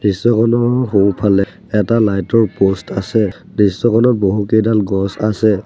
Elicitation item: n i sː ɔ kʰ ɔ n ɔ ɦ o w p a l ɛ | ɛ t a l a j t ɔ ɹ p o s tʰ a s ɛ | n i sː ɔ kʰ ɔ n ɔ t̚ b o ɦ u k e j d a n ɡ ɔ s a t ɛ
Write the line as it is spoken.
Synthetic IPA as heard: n i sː ɔ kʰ ɔ n ɔ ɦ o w pʰ a l ɛ | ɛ t a l a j t ɔ ɹ p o s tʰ a s ɛ | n i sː ɔ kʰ ɔ n ɔ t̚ b o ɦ u k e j d a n ɡ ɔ s a s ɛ